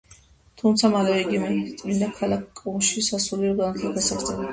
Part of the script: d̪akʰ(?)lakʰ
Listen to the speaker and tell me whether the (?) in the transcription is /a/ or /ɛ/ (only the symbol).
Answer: a